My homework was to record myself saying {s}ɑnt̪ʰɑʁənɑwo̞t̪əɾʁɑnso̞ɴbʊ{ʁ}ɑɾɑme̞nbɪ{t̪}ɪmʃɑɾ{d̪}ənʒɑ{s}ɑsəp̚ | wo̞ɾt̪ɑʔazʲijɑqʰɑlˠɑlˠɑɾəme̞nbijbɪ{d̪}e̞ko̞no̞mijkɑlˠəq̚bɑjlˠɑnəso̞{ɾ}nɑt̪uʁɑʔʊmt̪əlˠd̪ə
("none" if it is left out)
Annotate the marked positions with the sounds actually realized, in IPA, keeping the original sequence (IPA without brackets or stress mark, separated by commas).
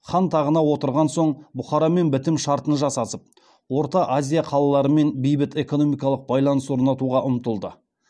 χ, χ, t̪, t̪, s, t̪, ɾ